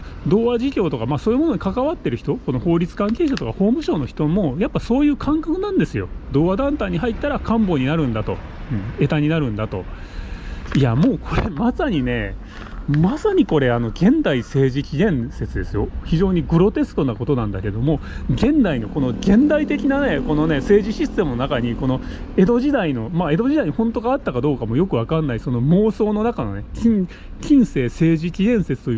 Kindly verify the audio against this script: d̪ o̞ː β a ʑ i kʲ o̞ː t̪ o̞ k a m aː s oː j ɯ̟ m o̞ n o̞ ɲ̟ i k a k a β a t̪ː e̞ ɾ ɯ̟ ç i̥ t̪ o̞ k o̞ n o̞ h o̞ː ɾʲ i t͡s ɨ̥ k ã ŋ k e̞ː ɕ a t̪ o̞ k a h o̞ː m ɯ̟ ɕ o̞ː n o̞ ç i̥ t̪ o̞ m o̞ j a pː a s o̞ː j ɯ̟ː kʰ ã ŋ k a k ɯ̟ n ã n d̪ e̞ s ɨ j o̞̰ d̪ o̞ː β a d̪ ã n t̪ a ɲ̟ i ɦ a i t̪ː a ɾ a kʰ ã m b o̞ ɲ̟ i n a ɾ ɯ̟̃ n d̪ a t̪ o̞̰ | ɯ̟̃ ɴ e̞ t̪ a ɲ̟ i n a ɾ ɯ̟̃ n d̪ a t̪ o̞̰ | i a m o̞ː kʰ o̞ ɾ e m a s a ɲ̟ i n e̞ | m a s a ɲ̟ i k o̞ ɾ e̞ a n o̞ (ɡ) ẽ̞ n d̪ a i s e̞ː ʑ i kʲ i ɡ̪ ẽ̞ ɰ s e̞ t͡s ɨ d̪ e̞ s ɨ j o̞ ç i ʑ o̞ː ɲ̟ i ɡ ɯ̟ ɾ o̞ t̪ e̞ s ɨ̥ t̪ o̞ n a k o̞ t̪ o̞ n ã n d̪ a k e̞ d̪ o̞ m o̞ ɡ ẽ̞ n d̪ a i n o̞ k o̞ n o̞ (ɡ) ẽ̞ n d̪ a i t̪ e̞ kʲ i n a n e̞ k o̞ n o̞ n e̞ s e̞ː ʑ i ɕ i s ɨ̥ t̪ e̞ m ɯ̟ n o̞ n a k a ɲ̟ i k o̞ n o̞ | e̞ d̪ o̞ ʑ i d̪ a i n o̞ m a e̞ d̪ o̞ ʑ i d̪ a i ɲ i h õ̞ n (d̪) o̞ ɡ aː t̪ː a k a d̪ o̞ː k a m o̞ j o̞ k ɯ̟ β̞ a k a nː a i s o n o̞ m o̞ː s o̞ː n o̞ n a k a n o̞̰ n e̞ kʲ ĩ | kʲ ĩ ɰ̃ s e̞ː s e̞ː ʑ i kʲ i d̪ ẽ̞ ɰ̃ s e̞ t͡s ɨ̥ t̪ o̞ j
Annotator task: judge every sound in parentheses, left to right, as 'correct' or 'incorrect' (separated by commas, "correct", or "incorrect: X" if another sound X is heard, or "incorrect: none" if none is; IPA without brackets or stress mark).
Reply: correct, correct, incorrect: t̪